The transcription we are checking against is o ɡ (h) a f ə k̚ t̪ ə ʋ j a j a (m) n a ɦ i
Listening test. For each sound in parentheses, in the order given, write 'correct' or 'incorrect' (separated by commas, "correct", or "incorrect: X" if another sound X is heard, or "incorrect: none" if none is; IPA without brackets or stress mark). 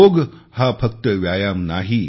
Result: correct, correct